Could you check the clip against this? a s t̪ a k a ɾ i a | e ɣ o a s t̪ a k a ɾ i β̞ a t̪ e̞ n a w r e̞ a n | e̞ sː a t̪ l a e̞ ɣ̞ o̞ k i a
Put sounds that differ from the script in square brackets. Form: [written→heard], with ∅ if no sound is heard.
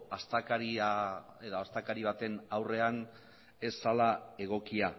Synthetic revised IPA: a s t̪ a k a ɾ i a | e [ɣ→ð] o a s t̪ a k a ɾ i β̞ a t̪ e̞ n a w r e̞ a n | e̞ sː a [t̪→∅] l a e̞ ɣ̞ o̞ k i a